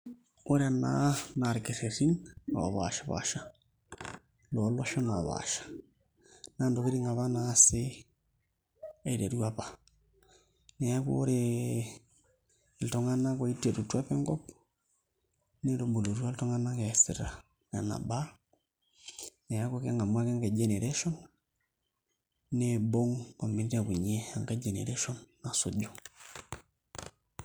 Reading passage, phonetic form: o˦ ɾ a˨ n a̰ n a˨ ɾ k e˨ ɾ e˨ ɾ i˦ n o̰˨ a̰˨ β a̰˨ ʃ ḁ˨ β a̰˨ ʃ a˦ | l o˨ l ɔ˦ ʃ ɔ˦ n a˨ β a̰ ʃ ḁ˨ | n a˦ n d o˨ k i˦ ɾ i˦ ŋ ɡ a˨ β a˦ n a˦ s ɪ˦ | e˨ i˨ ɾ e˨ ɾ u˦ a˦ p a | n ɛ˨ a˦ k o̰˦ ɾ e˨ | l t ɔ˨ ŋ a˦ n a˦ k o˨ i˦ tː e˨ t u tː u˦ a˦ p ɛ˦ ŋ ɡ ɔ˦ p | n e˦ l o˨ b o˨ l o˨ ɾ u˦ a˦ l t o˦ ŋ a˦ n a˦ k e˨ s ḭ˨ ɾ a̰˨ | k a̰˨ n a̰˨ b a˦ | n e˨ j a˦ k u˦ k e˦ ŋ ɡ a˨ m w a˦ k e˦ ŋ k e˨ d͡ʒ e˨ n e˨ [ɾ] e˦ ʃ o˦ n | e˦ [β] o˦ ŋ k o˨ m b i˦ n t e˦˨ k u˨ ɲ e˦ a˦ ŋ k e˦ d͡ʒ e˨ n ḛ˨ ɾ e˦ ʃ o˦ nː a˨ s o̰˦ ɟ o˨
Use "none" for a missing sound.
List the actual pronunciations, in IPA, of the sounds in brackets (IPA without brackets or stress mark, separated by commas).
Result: ɾ, b